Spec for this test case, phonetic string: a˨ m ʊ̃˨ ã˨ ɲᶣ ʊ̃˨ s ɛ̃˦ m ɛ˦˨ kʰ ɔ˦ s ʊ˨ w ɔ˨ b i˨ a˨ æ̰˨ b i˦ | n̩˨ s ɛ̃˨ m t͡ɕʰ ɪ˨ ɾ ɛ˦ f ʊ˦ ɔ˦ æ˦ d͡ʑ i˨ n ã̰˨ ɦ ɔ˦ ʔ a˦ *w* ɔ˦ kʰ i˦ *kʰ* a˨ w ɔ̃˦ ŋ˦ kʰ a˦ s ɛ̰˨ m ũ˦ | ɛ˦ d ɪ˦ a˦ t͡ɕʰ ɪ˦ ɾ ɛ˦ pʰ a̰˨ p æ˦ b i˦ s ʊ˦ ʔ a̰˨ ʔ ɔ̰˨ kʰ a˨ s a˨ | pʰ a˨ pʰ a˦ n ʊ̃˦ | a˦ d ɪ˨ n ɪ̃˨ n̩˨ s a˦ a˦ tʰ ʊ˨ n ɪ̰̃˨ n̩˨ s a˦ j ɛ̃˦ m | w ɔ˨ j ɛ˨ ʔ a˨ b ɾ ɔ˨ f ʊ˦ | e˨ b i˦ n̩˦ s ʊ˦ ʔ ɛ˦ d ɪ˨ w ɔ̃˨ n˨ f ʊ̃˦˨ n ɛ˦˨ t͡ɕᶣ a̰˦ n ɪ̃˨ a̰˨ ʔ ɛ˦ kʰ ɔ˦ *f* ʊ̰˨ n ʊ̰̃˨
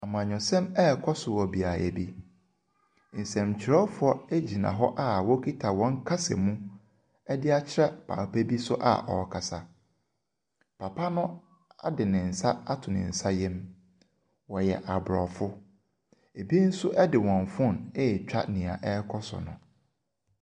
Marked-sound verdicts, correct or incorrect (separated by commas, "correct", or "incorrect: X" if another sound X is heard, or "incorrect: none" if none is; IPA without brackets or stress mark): correct, incorrect: tʰ, incorrect: s